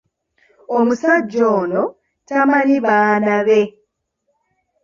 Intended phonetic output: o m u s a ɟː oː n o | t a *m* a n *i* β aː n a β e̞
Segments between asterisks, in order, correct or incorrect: correct, correct

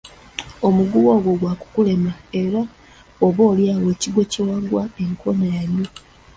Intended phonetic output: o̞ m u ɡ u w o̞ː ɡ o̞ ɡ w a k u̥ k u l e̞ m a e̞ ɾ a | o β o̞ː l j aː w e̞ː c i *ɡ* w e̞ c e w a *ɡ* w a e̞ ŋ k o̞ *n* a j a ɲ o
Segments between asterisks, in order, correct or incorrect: correct, correct, correct

